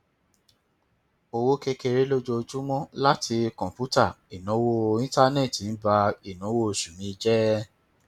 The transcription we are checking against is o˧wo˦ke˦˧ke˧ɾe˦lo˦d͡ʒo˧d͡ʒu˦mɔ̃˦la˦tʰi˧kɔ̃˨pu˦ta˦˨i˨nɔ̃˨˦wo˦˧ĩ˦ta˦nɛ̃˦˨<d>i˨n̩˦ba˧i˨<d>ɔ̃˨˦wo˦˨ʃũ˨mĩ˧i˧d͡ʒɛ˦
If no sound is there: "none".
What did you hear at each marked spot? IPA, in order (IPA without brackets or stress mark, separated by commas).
t, n